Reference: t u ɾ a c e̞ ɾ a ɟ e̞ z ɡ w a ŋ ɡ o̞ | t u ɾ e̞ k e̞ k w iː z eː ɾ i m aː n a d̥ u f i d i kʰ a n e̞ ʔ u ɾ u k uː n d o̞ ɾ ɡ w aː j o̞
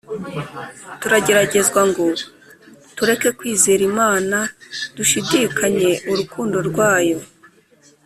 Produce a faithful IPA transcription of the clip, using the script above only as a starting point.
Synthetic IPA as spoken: t u ɾ a ɟ e̞ ɾ a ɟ e̞ z ɡ w a ŋ ɡ o̞ | t u ɾ e̞ k e̞ k w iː z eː ɾ i m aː n a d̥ u ʃ i d i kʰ a ɲ e̞ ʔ u ɾ u k uː n d o̞ ɾ ɡ w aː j o̞